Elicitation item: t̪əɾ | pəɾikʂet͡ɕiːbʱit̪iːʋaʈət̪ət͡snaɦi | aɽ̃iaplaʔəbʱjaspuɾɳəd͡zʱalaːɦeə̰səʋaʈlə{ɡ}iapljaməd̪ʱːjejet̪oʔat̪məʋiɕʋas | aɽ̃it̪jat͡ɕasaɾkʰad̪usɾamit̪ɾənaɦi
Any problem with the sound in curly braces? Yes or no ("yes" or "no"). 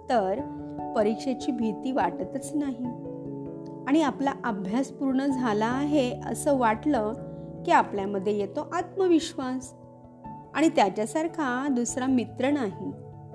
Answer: yes